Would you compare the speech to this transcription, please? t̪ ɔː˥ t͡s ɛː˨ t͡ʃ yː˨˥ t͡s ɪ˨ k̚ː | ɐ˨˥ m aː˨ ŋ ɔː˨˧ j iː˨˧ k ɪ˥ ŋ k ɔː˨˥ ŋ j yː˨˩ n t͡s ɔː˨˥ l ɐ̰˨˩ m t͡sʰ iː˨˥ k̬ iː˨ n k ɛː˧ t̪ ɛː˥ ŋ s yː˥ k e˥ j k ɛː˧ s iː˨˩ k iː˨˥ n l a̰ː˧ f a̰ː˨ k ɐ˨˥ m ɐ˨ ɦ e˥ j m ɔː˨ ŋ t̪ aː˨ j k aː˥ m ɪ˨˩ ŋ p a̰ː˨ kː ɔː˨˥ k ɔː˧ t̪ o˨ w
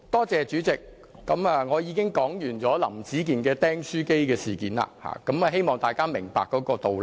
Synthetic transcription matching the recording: t̪ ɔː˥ t͡s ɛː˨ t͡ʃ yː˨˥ t͡s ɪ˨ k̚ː | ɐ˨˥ m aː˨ ŋ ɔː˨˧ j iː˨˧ k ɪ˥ ŋ k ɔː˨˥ ŋ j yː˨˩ n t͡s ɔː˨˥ l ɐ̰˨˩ m t͡s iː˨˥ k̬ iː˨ n k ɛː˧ t̪ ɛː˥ ŋ s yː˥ k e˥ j k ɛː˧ s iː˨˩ k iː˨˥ n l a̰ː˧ h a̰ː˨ k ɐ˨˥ m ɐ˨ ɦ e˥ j m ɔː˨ ŋ t̪ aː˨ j k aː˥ m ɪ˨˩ ŋ p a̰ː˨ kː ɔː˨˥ k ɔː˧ t̪ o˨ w